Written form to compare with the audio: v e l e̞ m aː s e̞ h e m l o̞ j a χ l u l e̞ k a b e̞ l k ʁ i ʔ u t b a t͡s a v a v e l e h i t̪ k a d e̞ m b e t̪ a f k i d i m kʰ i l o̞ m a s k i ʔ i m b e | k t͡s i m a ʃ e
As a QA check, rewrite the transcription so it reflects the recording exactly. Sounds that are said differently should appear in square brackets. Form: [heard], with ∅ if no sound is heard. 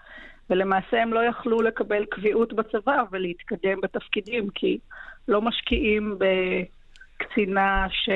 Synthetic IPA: v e l e̞ m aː s e̞ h e m l o̞ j a χ l u l e̞ k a b e̞ l k [v] i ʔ u t b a t͡s a v a v e l e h i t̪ k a d e̞ m b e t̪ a f k i d i m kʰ i l o̞ m a [ʃ] k i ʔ i m b e | k t͡s i [n] a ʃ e